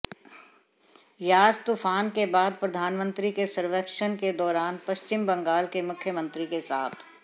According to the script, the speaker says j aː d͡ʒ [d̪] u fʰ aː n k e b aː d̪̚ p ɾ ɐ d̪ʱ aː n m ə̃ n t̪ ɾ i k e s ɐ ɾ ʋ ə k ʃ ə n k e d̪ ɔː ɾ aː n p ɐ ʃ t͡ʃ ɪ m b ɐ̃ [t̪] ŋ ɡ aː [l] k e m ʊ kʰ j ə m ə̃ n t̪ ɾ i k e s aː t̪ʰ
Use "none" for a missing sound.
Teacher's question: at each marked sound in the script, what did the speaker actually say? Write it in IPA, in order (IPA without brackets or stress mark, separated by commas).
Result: t̪, none, l